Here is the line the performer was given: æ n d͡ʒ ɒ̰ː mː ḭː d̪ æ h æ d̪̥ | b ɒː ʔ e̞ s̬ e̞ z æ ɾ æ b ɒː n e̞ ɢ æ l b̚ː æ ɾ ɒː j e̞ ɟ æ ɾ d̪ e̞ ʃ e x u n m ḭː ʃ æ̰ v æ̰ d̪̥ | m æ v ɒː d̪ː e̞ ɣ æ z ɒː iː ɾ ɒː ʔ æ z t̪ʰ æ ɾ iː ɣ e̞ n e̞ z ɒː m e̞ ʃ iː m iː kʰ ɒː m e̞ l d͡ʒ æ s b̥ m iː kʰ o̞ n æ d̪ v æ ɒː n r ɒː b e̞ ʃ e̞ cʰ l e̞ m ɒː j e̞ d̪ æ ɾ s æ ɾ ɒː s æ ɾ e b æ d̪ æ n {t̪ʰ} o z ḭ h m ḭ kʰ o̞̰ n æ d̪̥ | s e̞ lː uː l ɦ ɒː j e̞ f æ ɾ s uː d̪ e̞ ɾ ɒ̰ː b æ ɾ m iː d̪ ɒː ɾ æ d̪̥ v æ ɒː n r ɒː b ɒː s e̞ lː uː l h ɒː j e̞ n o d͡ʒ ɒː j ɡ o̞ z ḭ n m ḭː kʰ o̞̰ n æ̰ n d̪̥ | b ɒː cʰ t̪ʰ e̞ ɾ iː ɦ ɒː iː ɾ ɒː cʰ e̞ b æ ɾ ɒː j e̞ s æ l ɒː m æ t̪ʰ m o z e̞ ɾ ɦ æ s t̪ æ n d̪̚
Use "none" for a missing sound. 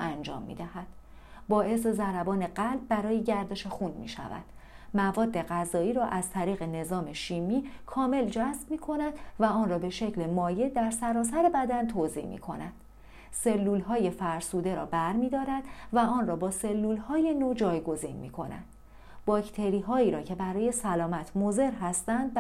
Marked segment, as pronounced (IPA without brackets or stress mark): t̪ʰ